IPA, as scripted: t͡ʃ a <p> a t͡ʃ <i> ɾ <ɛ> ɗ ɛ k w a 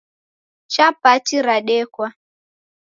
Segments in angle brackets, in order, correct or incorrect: correct, correct, incorrect

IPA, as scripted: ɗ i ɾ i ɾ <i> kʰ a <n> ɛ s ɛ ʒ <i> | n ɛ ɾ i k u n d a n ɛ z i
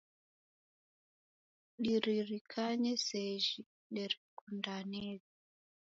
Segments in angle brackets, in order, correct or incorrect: correct, incorrect, correct

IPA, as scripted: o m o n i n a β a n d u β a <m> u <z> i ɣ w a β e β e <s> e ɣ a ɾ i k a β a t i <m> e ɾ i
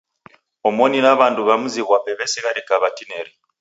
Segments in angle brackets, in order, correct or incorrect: correct, correct, correct, incorrect

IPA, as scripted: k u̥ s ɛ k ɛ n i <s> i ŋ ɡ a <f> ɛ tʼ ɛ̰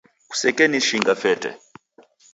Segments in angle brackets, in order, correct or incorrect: incorrect, correct

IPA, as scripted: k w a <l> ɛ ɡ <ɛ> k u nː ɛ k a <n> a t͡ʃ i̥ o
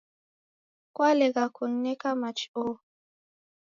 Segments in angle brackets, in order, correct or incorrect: correct, incorrect, incorrect

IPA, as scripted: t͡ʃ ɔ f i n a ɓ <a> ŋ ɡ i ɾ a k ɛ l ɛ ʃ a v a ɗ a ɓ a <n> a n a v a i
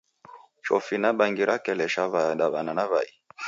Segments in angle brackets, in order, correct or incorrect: correct, correct

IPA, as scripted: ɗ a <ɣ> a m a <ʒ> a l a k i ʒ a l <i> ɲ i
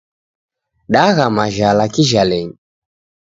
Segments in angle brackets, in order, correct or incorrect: correct, correct, incorrect

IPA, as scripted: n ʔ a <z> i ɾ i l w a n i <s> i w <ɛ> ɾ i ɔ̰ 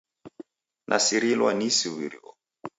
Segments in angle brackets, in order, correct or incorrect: incorrect, correct, incorrect

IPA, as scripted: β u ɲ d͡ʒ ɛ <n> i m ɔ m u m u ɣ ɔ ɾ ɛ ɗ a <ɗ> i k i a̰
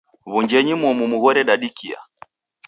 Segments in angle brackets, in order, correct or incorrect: incorrect, correct

